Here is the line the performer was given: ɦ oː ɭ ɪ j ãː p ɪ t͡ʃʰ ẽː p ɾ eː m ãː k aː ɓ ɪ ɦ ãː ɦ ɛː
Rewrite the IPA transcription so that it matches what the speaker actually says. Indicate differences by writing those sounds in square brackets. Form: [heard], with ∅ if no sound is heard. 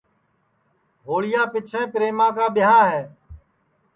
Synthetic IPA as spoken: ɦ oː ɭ ɪ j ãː p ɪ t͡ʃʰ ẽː p ɾ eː m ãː k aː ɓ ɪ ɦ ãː ɦ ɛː